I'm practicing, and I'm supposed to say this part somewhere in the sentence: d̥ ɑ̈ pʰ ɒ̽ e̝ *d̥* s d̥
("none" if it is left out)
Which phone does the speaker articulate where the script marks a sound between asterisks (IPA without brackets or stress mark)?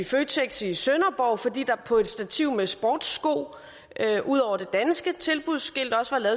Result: d̥